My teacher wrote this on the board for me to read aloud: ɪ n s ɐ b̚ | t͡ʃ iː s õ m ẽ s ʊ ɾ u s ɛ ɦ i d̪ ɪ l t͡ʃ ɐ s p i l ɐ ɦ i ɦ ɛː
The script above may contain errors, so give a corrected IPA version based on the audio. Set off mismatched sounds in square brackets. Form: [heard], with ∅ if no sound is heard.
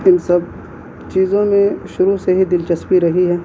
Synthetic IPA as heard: ɪ n s ɐ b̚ | t͡ʃ iː [z] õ m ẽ [ʃ] ʊ ɾ u s [e] ɦ i d̪ ɪ l t͡ʃ ɐ s p i [ɾ] ɐ ɦ i ɦ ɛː